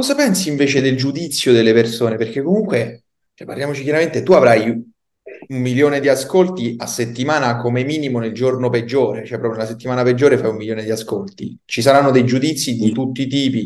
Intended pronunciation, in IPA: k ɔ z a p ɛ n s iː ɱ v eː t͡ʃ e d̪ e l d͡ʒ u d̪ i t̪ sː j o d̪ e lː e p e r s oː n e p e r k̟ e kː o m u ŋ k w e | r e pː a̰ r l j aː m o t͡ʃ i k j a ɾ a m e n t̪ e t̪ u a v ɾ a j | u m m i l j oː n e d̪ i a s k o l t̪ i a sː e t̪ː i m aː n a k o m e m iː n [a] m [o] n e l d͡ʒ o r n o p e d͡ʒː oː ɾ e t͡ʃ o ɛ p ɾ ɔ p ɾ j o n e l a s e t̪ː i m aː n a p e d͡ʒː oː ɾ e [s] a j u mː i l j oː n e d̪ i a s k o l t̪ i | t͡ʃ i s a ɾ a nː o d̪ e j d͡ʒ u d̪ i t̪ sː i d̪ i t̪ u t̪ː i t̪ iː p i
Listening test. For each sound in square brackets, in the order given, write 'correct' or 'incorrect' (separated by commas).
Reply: incorrect, correct, incorrect